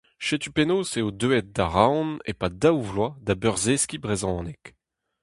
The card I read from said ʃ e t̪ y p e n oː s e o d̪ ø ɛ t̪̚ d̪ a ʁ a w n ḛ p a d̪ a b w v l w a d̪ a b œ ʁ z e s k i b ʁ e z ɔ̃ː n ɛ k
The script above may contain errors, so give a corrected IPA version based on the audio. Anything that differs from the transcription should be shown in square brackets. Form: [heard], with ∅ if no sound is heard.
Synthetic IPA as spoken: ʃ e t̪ y p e n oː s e o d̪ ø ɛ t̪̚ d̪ a ʁ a w n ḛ p a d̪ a [∅] w v l w a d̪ a b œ ʁ z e s k i b ʁ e z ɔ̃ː n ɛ k